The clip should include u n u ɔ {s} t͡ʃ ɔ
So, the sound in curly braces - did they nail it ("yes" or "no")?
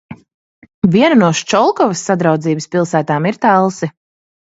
no